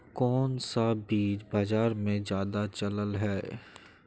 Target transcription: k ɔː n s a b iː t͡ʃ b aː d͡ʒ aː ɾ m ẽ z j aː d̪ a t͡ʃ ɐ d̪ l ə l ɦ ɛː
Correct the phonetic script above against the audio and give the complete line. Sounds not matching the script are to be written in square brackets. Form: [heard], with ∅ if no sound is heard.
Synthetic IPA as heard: k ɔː n s a b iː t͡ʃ b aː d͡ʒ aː ɾ m ẽ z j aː d̪ a t͡ʃ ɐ [∅] l ə l ɦ ɛː